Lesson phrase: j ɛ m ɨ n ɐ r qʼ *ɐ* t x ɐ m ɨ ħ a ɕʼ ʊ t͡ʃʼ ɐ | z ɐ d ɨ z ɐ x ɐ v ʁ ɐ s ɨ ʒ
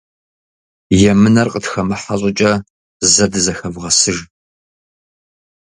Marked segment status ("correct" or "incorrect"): incorrect